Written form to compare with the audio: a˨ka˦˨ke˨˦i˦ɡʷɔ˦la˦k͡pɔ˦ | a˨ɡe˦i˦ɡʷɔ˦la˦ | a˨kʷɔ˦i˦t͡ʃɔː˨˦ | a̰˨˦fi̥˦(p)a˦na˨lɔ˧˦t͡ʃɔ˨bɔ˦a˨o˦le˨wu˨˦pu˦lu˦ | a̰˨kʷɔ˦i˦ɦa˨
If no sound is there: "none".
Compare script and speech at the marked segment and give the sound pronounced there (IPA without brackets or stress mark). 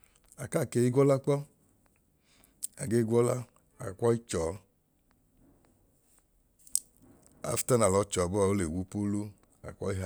t